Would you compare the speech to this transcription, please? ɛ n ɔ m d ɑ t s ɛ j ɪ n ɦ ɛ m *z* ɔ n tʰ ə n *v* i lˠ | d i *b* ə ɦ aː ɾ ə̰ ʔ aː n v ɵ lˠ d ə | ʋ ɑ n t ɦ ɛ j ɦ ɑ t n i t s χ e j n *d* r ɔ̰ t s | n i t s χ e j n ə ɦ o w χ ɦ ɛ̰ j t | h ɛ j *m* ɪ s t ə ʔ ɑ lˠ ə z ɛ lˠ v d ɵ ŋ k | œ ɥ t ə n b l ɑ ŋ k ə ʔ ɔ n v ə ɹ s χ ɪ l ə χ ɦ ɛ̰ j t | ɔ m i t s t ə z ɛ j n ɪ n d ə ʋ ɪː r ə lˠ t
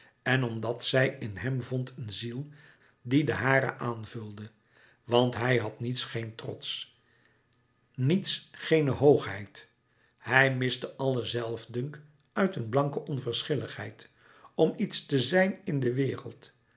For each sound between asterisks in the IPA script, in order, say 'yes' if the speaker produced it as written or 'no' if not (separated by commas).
no, no, no, no, yes